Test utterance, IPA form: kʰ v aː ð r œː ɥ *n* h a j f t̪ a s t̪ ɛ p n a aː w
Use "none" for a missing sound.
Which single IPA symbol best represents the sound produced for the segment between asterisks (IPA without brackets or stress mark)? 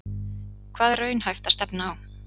n